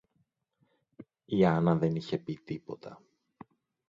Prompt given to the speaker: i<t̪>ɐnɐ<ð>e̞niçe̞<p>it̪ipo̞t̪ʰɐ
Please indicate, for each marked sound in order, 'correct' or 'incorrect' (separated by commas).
incorrect, correct, correct